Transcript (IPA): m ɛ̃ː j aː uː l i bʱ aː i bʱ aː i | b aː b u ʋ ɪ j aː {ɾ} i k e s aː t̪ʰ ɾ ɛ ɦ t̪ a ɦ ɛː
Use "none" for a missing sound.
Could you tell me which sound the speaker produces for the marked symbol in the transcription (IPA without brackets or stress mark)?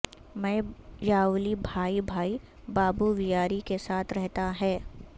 ɾ